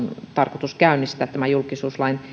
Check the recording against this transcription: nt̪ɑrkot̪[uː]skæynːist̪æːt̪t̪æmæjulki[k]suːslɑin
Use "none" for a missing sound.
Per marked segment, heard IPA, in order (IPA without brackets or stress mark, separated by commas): u, none